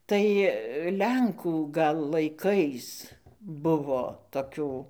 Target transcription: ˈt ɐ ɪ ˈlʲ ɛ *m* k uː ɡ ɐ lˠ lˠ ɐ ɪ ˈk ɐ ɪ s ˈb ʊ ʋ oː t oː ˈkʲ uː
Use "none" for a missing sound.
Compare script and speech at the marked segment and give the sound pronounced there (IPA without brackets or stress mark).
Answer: ŋ